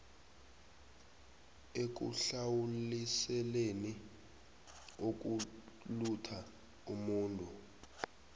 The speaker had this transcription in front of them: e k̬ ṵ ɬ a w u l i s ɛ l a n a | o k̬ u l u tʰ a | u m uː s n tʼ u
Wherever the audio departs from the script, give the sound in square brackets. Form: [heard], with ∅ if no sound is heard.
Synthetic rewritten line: e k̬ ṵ ɬ a w u l i s ɛ l [e] n [i] | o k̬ u l u tʰ a | u m uː [∅] n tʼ u